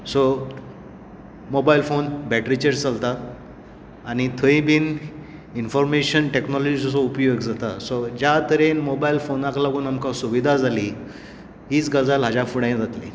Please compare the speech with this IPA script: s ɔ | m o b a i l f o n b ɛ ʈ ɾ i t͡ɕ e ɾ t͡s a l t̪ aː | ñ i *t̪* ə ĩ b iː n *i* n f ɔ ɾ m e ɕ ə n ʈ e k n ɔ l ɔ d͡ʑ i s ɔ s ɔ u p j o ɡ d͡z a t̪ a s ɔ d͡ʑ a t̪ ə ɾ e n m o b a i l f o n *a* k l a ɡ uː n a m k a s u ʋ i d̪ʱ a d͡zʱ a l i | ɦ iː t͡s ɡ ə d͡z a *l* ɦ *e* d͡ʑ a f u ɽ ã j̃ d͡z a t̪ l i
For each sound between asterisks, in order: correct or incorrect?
incorrect: t̪ʰ, correct, correct, correct, incorrect: a

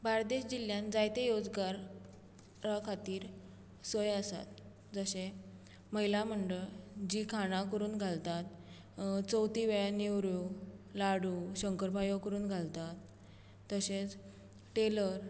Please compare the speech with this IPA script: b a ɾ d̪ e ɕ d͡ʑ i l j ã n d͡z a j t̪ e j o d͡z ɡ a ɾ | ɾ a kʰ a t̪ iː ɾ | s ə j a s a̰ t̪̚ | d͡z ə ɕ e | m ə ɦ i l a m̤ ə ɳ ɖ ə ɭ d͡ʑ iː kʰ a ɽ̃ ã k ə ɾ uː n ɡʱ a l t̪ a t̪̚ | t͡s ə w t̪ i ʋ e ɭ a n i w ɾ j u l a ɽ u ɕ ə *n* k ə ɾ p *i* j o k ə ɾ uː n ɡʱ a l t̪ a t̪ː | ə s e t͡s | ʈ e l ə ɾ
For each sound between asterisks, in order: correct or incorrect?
incorrect: ŋ, incorrect: a

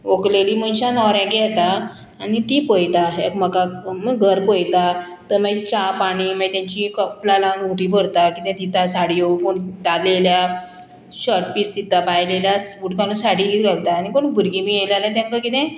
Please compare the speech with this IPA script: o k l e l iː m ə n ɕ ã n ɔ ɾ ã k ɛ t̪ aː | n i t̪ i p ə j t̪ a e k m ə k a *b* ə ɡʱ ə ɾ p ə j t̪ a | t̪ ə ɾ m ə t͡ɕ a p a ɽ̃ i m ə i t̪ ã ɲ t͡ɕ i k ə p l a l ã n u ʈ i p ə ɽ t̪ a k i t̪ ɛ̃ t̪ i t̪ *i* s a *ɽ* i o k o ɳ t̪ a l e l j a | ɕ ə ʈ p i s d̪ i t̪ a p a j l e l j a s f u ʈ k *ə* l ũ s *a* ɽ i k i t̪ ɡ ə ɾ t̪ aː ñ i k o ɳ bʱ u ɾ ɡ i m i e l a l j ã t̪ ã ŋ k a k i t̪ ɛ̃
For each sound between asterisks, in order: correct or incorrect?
incorrect: m, incorrect: a, correct, incorrect: a, correct

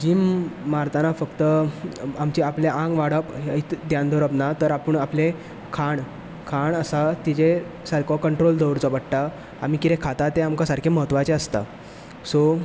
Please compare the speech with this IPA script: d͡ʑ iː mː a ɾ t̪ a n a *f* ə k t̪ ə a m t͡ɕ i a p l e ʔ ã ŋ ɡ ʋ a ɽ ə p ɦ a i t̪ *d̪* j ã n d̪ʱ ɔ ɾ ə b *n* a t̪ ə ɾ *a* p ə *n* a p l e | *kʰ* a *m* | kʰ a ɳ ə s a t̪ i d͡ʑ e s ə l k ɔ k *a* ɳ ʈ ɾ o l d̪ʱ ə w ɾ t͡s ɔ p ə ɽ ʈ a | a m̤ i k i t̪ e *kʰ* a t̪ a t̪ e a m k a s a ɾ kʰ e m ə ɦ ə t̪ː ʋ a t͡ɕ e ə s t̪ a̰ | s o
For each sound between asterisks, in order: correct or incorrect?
correct, correct, correct, correct, incorrect: ɳ, correct, incorrect: ɳ, incorrect: ə, correct

